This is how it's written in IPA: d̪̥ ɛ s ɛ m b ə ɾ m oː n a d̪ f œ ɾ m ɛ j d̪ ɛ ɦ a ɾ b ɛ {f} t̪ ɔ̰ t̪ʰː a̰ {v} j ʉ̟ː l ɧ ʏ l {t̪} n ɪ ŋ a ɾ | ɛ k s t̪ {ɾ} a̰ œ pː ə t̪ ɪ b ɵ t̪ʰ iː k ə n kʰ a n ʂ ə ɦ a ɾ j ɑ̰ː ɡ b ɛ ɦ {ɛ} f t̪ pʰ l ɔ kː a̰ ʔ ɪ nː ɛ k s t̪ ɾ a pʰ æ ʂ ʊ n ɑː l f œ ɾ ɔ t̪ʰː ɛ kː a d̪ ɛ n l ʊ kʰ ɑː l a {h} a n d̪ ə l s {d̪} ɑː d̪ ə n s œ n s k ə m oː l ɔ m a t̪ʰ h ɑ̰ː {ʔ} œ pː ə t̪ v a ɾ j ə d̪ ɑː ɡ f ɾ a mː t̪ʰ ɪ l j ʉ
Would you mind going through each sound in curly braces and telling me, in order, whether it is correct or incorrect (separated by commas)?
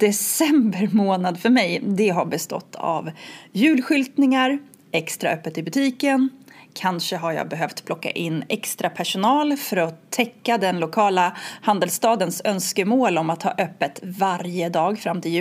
incorrect, correct, correct, correct, incorrect, correct, incorrect, correct